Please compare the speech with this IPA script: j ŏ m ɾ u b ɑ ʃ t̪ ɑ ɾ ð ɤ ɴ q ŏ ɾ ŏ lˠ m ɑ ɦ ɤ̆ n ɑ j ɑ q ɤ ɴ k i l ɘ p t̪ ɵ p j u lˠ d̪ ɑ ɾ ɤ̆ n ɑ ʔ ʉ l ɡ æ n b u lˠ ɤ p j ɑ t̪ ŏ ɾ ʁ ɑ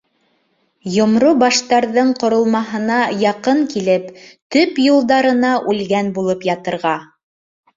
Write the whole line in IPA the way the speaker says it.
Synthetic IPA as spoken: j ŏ m ɾ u b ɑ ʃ t̪ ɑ ɾ ð ɤ ɴ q ŏ ɾ ŏ lˠ m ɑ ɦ ɤ̆ n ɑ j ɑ q ɤ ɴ k i l ɘ p t̪ ɵ p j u lˠ d̪ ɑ ɾ ɤ̆ n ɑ ʔ ʉ l ɡ æ n b u lˠ ɤ p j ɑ t̪ ɤ̆ ɾ ʁ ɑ